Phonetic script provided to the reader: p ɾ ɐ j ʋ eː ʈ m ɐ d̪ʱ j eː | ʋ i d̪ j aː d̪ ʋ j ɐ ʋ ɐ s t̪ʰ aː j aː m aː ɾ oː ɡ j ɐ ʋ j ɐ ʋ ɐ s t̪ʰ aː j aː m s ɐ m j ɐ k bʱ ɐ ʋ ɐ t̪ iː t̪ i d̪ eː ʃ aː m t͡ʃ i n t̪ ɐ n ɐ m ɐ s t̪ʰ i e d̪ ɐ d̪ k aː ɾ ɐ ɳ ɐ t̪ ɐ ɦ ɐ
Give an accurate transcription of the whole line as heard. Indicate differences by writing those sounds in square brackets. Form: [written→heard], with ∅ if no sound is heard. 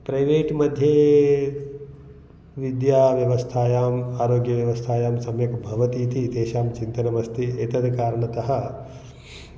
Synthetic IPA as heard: p ɾ ɐ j ʋ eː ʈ m ɐ d̪ʱ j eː | ʋ i d̪ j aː [d̪→∅] ʋ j ɐ ʋ ɐ s t̪ʰ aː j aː m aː ɾ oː ɡ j ɐ ʋ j ɐ ʋ ɐ s t̪ʰ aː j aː m s ɐ m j ɐ k bʱ ɐ ʋ ɐ t̪ iː t̪ i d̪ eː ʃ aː m t͡ʃ i n t̪ ɐ n ɐ m ɐ s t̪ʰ i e [d̪→t̪] ɐ d̪ k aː ɾ ɐ ɳ ɐ t̪ ɐ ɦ ɐ